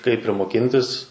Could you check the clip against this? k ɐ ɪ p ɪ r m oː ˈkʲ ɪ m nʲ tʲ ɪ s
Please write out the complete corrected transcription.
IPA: k ɐ ɪ p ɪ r m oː ˈkʲ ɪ nʲ tʲ ɪ s